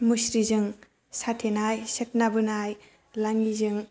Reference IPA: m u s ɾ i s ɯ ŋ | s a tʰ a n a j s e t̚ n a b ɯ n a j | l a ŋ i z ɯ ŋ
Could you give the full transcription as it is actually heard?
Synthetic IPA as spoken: m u s ɾ i z ɯ ŋ | s a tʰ e n a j s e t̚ n a b ɯ n a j | l a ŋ i z ɯ ŋ